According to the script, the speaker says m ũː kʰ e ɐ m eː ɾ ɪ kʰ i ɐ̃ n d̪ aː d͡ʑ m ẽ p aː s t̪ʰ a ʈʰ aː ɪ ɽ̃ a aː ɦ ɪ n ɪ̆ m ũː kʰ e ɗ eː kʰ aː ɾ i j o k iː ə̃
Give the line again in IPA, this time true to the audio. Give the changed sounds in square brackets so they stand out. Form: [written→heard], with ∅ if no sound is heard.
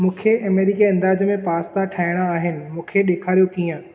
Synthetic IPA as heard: m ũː kʰ e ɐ m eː ɾ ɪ [kʰ→k] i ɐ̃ n d̪ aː d͡ʑ m ẽ p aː s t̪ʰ a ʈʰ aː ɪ ɽ̃ a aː ɦ ɪ n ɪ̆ m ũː kʰ e ɗ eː kʰ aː ɾ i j o k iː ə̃